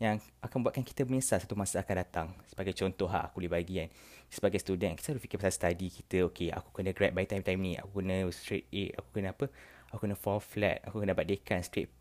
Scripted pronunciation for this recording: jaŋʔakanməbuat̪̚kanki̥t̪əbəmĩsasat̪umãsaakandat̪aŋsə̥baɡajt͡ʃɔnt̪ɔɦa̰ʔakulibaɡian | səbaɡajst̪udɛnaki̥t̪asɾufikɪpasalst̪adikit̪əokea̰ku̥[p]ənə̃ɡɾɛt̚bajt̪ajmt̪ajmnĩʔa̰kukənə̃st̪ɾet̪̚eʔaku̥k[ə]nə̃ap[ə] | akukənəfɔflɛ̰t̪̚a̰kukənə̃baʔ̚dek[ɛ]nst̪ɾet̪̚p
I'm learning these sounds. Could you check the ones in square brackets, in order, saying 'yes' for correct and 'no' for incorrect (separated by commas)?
no, yes, yes, no